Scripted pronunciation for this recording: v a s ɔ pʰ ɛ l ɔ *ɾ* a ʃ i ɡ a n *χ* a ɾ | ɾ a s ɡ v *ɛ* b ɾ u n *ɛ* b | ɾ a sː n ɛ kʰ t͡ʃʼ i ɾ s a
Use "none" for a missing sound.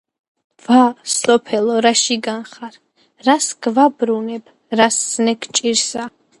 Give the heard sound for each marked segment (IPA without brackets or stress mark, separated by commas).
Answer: ɾ, χ, a, ɛ